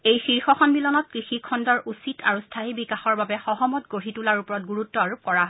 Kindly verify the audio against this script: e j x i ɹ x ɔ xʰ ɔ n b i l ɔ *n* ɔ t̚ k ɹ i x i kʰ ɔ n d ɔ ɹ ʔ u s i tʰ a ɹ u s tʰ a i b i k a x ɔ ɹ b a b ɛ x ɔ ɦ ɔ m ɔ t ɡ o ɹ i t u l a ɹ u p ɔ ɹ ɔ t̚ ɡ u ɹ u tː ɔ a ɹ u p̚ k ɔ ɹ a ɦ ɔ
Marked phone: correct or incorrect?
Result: correct